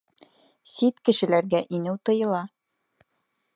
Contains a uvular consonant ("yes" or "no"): no